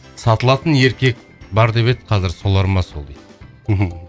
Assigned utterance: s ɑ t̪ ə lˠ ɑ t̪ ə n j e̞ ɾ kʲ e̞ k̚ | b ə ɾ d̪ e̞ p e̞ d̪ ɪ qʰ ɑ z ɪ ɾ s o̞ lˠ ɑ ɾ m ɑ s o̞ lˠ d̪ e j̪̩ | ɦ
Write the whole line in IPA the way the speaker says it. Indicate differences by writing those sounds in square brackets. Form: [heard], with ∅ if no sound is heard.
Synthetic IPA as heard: s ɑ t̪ ə lˠ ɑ t̪ ə n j e̞ ɾ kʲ e̞ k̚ | b [ɑ] ɾ d̪ e̞ p e̞ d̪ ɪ qʰ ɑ z ɪ ɾ s o̞ lˠ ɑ ɾ m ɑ s o̞ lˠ d̪ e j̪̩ | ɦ